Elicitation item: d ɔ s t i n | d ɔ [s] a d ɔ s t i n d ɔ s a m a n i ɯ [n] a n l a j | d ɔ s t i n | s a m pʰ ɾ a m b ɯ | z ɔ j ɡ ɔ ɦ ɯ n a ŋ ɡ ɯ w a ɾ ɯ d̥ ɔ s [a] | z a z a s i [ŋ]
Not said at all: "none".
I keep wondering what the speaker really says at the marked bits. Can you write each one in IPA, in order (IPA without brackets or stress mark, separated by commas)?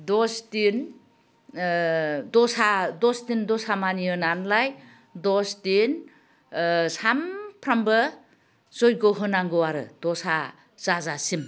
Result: s, n, a, m